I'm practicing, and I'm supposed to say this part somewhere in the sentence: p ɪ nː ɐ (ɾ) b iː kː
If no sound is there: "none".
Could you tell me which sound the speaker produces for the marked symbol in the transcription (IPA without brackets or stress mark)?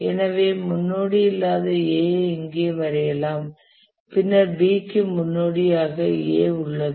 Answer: ɾ